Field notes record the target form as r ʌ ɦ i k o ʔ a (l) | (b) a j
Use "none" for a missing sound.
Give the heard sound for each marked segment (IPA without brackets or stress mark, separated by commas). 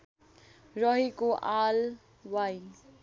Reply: l, w